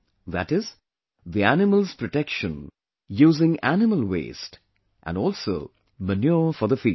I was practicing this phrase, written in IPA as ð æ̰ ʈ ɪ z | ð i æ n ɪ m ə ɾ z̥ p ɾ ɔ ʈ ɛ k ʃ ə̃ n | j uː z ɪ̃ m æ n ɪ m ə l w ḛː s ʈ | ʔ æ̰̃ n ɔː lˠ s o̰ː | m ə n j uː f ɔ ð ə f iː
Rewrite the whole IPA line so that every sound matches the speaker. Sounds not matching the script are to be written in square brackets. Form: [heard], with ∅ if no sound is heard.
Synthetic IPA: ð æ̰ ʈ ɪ z | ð i æ n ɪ m ə [l] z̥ p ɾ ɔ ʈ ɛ k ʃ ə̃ n | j uː z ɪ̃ [ŋ] æ n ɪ m ə l w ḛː s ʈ | ʔ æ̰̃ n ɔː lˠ s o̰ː | m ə n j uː f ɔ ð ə f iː